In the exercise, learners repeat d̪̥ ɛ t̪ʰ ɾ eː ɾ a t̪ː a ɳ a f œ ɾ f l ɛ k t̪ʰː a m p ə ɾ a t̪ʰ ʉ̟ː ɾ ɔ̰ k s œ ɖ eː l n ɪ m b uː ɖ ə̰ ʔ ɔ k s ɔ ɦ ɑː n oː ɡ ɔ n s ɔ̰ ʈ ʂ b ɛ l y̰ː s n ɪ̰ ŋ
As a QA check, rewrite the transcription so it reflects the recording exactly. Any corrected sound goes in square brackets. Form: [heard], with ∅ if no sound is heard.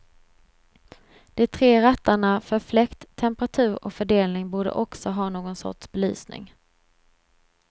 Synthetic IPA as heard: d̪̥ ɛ t̪ʰ ɾ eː ɾ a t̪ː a ɳ a f œ ɾ f l ɛ k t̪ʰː [ɛ] m p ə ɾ a t̪ʰ ʉ̟ː ɾ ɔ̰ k [f] œ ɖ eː l n ɪ [ŋ] b uː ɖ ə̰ ʔ ɔ k s ɔ ɦ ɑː n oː ɡ ɔ n s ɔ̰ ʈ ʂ b ɛ l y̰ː s n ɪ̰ ŋ